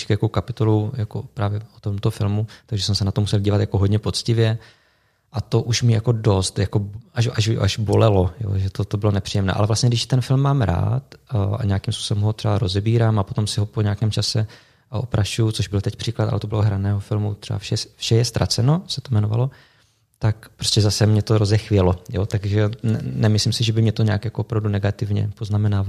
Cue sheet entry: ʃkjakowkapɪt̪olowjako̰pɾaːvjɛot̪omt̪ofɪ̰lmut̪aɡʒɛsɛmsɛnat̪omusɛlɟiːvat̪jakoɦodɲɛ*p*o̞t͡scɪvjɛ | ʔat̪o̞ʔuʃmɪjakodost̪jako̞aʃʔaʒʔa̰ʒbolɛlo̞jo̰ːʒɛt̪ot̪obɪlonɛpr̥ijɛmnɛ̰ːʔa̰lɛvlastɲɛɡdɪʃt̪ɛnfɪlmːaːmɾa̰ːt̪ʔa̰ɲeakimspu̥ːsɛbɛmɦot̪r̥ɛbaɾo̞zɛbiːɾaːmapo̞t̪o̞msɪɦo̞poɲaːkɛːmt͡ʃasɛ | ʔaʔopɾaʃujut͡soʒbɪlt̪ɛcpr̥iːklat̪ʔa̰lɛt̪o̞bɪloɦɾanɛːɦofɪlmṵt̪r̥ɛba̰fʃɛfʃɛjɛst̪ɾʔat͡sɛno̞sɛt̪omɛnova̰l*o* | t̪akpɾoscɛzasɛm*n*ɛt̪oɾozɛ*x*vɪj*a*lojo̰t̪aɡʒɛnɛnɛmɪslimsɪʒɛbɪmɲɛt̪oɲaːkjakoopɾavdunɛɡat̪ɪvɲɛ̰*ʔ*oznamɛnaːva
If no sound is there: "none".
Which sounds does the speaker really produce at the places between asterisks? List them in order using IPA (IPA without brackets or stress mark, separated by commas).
p, o, ɲ, x, ɛ, p